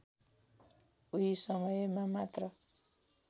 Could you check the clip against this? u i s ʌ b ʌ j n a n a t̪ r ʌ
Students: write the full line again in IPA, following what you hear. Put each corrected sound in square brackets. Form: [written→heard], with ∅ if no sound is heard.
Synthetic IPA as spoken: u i s ʌ [b→m] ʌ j [n→m] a [n→m] a t̪ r ʌ